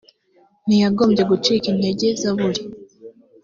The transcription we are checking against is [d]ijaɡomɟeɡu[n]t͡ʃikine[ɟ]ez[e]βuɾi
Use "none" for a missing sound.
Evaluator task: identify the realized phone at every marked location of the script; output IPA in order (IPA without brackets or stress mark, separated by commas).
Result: n, none, ɟ, a